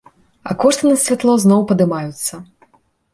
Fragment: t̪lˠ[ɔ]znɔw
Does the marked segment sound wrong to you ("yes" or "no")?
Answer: no